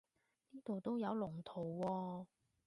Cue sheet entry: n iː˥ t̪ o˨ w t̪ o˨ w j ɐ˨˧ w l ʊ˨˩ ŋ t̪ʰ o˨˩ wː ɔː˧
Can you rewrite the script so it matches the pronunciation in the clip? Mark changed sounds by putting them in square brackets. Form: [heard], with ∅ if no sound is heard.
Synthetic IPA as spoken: n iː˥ t̪ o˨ w t̪ [o˥] w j ɐ˨˧ w l ʊ˨˩ ŋ t̪ʰ o˨˩ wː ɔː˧